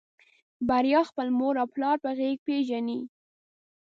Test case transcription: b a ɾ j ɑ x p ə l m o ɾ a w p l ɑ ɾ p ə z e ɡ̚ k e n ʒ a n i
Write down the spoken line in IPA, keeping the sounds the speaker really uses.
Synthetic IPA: b a ɾ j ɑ x p ə l m o ɾ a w p l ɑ ɾ p ə ɣ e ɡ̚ p e ʒ a n i